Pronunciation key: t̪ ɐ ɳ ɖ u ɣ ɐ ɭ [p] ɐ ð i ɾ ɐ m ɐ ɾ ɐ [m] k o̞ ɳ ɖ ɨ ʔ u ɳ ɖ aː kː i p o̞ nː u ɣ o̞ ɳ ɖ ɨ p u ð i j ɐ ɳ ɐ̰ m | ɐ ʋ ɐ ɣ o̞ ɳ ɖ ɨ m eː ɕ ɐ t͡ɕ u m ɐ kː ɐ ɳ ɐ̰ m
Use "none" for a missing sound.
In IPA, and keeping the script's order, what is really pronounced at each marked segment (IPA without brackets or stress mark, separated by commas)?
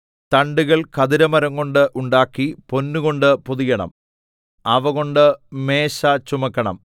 k, ŋ